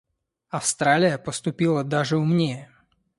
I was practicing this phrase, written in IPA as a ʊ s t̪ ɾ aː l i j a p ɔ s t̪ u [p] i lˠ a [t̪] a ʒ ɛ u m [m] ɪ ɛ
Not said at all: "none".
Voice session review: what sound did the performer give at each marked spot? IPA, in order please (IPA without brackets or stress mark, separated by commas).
p, d̪, ɲ